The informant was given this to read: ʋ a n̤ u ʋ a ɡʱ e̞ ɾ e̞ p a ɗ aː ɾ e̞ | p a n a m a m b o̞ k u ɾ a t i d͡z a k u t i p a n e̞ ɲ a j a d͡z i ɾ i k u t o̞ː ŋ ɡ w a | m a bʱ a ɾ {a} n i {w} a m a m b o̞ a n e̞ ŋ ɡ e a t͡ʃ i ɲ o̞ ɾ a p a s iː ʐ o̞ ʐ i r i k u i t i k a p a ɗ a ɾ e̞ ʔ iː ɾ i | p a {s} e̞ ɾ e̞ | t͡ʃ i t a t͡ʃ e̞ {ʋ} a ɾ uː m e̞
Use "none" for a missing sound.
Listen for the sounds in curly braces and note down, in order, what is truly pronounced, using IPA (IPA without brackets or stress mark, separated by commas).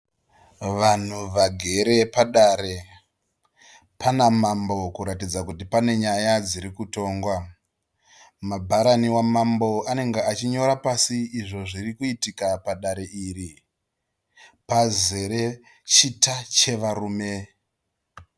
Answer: a, w, z, ʋ